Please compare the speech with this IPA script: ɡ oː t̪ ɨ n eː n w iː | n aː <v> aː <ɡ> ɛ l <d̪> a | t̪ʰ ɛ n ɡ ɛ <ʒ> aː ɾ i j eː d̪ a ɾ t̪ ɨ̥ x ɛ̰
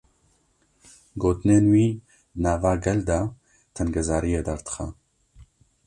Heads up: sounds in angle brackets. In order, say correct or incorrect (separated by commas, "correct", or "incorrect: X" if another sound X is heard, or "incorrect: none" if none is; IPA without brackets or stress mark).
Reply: correct, correct, correct, incorrect: z